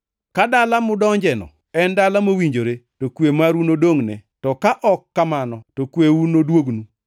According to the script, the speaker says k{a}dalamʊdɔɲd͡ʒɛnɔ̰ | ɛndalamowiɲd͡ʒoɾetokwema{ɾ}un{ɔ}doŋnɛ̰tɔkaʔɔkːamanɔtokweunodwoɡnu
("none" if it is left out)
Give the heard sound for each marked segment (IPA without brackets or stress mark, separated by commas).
a, ɾ, o